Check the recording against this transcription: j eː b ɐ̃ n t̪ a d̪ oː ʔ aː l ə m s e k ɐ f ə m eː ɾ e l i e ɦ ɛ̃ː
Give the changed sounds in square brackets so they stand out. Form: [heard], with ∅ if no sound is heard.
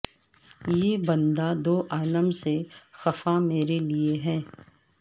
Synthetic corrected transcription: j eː b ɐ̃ n [d̪] a d̪ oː ʔ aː l ə m s e [x] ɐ f [a] m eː ɾ e l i e ɦ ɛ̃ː